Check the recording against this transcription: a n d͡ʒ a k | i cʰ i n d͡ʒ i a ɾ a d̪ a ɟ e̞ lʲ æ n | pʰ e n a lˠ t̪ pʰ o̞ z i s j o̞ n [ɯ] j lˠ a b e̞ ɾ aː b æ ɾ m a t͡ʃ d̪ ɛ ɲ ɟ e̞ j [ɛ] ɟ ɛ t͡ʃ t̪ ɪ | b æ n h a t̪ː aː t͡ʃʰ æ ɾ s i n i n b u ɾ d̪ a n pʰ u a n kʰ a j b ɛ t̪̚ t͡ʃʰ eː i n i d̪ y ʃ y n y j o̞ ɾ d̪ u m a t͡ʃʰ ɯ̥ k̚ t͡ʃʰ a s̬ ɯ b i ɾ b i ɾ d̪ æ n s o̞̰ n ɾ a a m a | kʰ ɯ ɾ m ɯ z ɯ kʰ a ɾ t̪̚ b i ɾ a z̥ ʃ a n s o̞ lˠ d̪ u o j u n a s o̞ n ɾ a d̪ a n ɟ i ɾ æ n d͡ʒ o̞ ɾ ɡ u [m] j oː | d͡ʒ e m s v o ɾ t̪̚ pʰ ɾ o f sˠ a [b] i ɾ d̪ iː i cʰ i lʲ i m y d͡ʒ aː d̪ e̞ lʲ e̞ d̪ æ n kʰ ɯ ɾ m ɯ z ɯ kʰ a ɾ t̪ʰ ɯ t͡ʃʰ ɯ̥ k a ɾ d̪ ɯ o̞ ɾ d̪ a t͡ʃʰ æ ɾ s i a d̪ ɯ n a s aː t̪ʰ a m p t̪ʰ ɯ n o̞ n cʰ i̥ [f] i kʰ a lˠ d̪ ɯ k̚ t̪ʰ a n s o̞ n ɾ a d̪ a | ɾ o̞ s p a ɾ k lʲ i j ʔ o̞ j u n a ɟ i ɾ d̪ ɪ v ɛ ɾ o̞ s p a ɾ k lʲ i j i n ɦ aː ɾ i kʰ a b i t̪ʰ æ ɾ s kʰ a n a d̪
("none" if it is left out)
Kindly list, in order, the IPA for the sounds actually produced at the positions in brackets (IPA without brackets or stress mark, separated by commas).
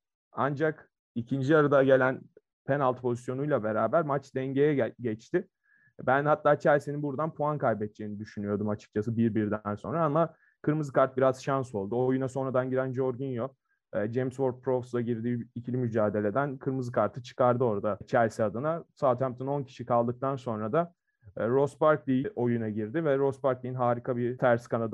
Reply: u, ɛ, n, ɟ, ʃ